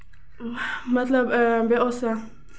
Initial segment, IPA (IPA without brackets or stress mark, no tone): m